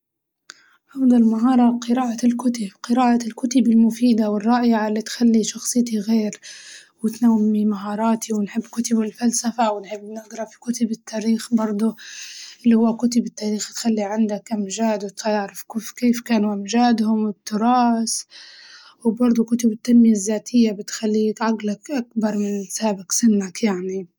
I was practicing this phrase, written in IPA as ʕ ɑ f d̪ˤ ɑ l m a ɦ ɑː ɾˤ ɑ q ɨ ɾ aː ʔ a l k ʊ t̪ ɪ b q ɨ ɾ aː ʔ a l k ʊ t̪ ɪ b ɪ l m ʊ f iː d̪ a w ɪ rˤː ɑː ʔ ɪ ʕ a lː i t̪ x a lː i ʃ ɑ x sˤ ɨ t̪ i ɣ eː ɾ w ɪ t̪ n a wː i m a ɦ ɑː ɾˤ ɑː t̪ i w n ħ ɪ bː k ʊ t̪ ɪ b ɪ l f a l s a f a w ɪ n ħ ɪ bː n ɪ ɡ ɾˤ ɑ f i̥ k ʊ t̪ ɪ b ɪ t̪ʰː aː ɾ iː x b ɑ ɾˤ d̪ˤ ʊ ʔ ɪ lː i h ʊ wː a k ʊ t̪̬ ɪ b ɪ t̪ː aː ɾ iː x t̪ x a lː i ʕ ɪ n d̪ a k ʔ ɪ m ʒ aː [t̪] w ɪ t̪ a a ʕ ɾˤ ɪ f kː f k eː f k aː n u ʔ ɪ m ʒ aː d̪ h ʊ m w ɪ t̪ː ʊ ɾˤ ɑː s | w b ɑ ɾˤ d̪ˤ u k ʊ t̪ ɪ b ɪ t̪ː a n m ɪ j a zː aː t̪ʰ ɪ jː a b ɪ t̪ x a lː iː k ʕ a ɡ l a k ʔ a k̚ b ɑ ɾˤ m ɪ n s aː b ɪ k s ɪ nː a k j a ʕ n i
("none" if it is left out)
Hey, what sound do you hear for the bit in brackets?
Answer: d̪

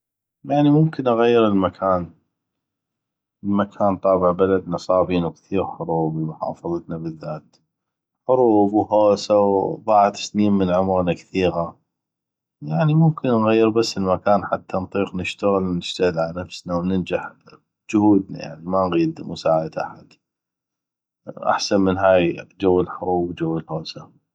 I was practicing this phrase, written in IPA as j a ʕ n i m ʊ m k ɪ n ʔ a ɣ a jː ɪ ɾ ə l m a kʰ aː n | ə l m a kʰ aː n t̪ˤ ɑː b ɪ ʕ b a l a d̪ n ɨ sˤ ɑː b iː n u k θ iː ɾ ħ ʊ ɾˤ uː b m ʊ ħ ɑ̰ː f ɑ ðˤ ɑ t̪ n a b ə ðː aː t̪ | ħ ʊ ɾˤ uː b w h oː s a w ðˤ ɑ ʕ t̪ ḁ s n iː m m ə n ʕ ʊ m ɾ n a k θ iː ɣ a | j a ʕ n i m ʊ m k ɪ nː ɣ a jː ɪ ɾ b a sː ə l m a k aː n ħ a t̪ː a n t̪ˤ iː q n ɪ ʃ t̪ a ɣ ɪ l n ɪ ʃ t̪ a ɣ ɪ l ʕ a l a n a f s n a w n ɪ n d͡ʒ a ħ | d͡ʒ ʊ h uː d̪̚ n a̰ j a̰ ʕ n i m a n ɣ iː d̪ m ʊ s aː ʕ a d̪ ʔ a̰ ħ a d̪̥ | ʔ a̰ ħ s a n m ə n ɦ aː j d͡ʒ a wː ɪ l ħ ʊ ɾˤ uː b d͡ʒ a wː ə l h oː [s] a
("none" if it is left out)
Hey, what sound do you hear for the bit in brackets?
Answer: s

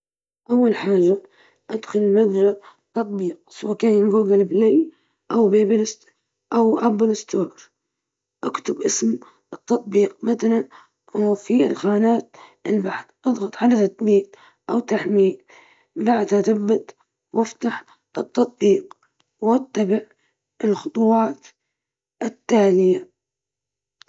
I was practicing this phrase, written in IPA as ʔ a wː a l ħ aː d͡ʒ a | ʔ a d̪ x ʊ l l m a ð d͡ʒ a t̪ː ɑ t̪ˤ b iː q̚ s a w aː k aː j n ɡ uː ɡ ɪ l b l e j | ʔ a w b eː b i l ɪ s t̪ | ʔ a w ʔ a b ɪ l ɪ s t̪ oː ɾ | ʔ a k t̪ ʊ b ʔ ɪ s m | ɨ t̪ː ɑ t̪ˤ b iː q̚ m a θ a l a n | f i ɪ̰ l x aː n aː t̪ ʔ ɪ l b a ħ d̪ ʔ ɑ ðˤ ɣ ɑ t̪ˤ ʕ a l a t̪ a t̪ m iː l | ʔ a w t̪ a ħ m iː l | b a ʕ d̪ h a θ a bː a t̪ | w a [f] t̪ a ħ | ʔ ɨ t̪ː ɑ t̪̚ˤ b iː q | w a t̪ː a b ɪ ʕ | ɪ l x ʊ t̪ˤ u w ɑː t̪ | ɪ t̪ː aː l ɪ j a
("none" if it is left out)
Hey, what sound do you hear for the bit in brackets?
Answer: f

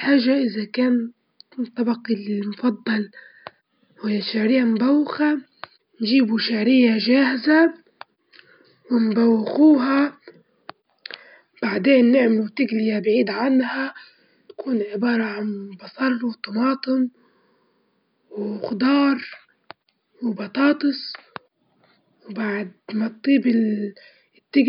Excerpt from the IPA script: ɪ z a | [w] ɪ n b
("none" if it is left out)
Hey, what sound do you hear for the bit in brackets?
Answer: w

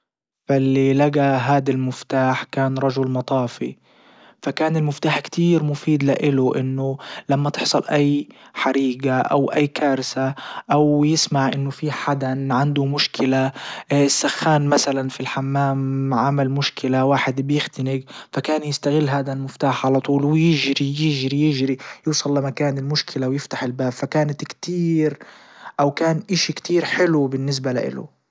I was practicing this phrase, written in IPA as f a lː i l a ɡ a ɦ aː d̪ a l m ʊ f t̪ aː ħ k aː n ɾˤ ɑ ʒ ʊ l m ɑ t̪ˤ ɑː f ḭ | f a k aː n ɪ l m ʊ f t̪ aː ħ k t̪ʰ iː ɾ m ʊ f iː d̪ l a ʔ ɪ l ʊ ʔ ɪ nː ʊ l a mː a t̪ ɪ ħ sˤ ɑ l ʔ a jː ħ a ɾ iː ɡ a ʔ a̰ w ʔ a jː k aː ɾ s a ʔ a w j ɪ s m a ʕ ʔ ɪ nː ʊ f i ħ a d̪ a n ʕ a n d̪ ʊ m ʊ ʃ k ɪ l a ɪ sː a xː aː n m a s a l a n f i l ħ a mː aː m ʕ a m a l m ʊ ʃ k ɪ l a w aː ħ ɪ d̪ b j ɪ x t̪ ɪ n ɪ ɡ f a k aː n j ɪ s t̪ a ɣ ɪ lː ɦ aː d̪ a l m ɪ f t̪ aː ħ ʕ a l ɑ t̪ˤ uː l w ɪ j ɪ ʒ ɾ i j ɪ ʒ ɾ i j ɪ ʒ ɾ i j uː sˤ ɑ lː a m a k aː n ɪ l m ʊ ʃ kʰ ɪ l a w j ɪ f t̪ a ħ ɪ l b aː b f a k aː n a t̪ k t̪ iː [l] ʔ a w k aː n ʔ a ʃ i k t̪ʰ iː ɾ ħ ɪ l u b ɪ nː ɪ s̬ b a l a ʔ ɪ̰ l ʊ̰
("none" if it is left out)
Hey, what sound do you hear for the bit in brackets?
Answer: ɾ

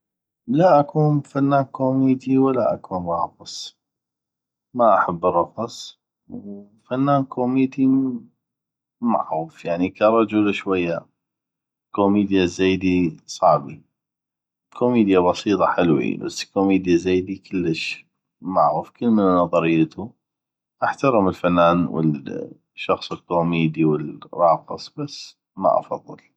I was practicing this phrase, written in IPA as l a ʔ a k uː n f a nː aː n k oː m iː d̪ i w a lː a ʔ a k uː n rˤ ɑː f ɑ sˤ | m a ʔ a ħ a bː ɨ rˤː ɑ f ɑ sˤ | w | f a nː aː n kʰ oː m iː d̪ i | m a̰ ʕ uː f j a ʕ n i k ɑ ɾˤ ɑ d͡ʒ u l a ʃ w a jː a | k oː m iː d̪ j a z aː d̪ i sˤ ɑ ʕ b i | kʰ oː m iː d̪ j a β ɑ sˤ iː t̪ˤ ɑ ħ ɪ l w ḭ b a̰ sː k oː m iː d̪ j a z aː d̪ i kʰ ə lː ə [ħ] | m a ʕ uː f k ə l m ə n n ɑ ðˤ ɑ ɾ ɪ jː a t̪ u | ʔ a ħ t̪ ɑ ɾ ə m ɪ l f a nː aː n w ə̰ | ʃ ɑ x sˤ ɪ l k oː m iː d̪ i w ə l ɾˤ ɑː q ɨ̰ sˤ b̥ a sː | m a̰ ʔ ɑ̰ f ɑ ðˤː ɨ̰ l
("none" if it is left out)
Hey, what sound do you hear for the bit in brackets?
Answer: ʃ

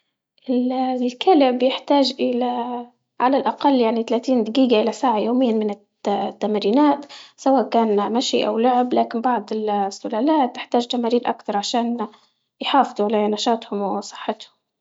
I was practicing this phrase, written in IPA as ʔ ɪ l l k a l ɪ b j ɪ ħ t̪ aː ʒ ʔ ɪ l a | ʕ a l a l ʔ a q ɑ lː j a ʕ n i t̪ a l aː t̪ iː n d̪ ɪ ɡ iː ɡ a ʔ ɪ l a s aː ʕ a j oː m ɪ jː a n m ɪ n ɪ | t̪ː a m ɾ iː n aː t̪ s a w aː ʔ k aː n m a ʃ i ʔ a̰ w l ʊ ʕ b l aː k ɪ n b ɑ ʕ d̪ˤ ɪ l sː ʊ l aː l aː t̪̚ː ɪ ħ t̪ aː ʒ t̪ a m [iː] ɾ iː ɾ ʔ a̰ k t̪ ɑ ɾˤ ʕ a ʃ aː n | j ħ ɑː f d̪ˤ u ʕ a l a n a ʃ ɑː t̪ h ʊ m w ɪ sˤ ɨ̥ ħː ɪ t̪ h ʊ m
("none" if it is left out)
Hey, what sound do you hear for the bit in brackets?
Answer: aː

